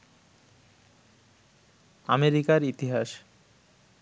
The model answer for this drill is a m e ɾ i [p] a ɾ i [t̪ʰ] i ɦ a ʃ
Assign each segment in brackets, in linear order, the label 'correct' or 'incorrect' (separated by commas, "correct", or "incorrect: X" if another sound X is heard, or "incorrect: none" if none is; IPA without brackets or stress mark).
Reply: incorrect: k, incorrect: t̪